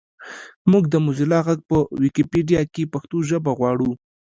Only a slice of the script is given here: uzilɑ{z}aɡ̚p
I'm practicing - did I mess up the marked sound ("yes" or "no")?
yes